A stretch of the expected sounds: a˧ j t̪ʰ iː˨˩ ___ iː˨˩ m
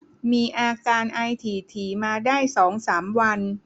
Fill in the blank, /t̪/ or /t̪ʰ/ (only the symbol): t̪ʰ